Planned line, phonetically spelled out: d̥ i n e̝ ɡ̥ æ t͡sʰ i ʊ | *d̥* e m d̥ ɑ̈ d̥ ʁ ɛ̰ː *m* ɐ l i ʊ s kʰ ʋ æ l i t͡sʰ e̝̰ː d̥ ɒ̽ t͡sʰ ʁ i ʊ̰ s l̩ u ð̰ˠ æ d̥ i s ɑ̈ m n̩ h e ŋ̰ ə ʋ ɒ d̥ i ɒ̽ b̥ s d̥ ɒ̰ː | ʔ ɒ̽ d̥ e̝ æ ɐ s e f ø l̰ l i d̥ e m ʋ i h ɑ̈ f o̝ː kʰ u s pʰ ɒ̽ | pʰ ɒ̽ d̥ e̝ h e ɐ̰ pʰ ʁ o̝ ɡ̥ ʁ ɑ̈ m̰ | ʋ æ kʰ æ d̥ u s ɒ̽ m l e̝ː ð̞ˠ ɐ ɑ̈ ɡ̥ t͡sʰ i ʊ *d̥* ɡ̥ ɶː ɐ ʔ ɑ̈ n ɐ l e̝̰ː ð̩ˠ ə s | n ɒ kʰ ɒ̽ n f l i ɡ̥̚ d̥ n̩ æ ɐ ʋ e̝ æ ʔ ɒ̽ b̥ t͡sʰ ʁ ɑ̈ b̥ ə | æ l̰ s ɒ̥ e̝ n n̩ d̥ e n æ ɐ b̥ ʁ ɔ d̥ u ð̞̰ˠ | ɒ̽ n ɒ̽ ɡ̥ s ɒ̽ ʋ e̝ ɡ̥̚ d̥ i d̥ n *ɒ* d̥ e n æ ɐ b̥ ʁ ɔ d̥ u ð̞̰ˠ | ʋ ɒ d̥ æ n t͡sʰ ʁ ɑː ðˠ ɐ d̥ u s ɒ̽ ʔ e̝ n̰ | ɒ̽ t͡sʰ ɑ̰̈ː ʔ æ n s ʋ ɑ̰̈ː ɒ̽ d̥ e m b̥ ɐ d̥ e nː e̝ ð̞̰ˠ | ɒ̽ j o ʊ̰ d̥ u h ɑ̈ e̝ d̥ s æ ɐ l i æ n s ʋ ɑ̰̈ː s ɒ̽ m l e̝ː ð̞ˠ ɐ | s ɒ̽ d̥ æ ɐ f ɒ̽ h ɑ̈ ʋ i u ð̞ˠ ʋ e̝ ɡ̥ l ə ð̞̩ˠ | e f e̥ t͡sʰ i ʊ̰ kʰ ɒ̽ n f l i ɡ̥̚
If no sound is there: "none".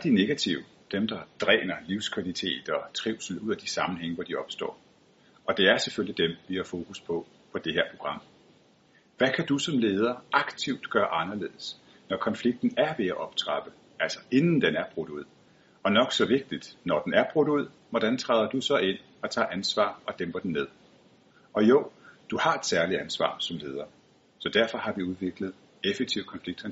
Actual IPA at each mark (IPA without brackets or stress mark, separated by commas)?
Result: d̥, n, d̥, ɒ